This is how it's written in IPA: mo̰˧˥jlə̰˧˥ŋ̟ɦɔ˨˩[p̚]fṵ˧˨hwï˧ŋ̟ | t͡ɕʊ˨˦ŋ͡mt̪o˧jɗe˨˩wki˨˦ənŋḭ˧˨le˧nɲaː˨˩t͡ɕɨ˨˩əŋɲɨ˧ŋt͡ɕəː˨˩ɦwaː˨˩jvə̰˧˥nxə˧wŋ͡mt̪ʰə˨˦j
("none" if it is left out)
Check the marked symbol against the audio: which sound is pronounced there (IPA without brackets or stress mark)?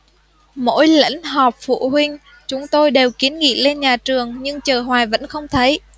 p̚